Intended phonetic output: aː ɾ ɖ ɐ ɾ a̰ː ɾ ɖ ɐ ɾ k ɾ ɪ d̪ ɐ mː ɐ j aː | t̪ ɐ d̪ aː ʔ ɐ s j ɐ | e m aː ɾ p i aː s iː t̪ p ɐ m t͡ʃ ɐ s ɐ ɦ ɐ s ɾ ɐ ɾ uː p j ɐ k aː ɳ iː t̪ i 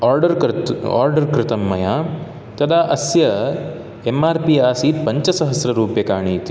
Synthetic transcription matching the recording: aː ɾ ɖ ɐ ɾ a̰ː ɾ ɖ ɐ ɾ k ɾ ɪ t̪ ɐ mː ɐ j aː | t̪ ɐ d̪ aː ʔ ɐ s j ɐ | e m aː ɾ p i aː s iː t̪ p ɐ ɲ t͡ʃ ɐ s ɐ ɦ ɐ s ɾ ɐ ɾ uː p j ɐ k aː ɳ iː t̪ i

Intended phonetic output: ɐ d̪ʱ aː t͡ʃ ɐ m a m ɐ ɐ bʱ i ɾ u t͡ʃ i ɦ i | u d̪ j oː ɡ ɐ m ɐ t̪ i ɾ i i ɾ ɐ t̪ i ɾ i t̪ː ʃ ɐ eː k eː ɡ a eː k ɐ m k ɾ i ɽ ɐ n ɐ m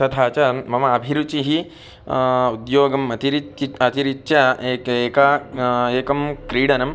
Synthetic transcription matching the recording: ɐ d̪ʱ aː t͡ʃ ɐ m ɐ m ɐ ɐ bʱ i ɾ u t͡ʃ i ɦ i | u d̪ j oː ɡ ɐ m ɐ t̪ i ɾ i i ɐ t̪ i ɾ i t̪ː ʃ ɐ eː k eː k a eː k ɐ m k ɾ iː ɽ ɐ n ɐ m

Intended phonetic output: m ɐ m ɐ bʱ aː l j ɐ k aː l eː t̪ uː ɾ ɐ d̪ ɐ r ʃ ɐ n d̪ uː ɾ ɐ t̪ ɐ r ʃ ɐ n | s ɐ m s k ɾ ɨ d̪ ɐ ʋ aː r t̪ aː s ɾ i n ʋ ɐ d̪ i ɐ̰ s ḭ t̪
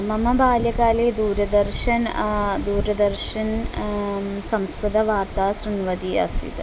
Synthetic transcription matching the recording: m ɐ m ɐ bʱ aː l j ɐ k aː l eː d̪ uː ɾ ɐ d̪ ɐ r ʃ ɐ n d̪ uː ɾ ɐ d̪ ɐ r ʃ ɐ n | s ɐ m s k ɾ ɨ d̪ ɐ ʋ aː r t̪ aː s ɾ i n ʋ ɐ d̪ i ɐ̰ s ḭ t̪

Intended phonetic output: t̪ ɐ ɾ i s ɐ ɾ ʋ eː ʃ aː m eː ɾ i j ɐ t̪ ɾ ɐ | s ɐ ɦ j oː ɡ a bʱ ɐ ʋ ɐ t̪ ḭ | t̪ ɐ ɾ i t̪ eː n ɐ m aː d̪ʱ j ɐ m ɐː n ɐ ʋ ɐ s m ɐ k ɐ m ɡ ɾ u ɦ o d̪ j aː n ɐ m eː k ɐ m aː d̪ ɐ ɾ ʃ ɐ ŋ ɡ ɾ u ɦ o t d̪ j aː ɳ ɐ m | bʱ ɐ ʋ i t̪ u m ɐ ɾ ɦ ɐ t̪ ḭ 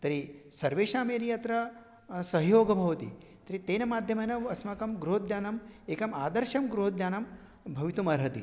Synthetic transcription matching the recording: t̪ ɐ ɾ i s ɐ ɾ ʋ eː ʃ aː m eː ɾ i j ɐ t̪ ɾ ɐ | s ɐ ɦ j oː ɡ ɐ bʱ ɐ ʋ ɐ t̪ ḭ | t̪ ɐ ɾ i t̪ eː n ɐ m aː d̪ʱ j ɐ m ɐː n ɐ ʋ ɐ s m ɐ k ɐ m ɡ ɾ u ɦ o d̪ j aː n ɐ m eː k ɐ m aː d̪ ɐ ɾ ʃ ɐ m ɡ ɾ u ɦ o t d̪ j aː n ɐ m | bʱ ɐ ʋ i t̪ u m ɐ ɾ ɦ ɐ t̪ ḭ

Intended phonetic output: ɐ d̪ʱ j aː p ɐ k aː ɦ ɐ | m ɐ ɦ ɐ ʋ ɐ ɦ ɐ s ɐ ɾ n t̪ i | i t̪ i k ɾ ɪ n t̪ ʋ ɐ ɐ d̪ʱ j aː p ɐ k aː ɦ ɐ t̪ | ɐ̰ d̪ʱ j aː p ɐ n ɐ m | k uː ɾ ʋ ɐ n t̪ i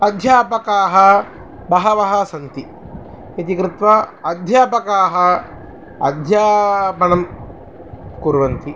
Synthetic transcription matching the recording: ɐ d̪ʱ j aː p ɐ k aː ɦ ɐ | b ɐ ɦ ɐ ʋ ɐ ɦ ɐ s ɐ n t̪ i | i t̪ i k ɾ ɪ t̪ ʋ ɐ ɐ d̪ʱ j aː p ɐ k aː ɦ ɐ | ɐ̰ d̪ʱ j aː p ɐ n ɐ m | k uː ɾ ʋ ɐ n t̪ i

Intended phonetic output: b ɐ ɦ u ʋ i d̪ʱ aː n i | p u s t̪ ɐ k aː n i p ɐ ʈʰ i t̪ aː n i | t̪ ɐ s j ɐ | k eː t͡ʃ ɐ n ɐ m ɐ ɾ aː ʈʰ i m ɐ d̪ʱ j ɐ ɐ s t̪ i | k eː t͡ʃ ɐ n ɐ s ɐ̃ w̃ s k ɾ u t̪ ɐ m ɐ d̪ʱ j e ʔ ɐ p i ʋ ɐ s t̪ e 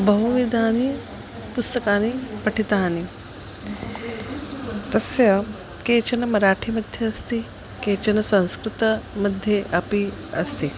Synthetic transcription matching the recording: b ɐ ɦ u ʋ i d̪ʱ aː n i | p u s t̪ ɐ k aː n i p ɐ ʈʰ i t̪ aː n i | t̪ ɐ s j ɐ | k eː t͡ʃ ɐ n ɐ m ɐ ɾ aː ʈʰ i m ɐ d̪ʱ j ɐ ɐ s t̪ i | k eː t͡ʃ ɐ n ɐ s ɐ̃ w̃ s k ɾ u t̪ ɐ m ɐ d̪ʱ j e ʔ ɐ p i ɐ s t̪ i

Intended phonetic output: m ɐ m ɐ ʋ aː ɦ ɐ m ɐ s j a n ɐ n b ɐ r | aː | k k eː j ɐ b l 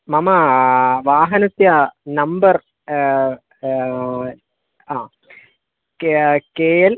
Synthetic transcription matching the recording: m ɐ m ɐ ʋ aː ɦ ɐ n ɐ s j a n ɐ m b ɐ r | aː | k k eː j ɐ l

